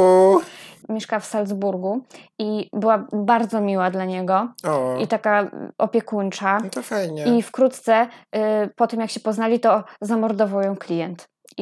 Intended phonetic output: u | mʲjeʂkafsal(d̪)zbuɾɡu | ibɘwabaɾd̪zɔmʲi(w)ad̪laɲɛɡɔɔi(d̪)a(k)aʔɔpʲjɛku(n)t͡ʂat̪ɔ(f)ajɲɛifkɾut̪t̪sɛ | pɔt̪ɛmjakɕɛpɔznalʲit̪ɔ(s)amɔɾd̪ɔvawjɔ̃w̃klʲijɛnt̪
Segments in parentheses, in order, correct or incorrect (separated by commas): correct, correct, incorrect, correct, correct, correct, incorrect